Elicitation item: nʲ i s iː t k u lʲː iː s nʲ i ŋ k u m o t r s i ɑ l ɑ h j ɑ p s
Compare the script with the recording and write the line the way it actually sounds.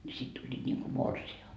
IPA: nʲ i s i t t u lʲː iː t nʲ i ŋ k u m o r s i ɑ l ɑ h j ɑ k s